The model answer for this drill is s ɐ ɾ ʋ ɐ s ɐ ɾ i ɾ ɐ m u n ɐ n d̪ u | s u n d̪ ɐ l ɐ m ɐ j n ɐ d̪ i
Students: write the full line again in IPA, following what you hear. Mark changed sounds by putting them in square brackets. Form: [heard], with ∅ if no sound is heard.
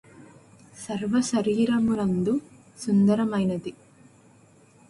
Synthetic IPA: s ɐ ɾ ʋ ɐ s ɐ ɾ [iː] ɾ ɐ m u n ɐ n d̪ u | s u n d̪ ɐ [ɾ] ɐ m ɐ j n ɐ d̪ i